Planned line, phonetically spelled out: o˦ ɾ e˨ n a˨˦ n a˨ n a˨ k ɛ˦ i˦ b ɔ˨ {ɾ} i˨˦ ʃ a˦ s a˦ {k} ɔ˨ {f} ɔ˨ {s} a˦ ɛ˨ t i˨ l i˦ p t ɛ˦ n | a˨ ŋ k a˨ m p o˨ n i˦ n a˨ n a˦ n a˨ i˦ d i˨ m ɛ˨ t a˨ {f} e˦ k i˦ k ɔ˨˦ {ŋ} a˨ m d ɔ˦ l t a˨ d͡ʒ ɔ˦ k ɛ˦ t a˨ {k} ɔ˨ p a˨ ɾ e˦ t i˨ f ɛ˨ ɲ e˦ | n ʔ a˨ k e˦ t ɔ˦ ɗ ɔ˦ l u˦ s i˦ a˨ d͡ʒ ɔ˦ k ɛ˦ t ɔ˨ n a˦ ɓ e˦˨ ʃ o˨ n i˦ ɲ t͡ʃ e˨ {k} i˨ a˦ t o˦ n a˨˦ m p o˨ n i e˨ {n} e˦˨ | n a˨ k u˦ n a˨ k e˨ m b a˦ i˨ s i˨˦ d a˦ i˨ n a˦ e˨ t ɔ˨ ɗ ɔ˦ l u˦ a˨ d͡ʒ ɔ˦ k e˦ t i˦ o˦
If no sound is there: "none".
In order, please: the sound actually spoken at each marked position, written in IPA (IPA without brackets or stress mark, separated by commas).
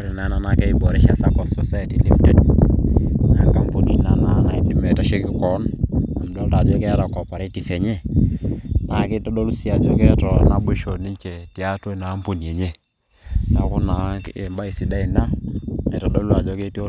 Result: ɾ, k, s, s, ʃ, n, k, t, ɲ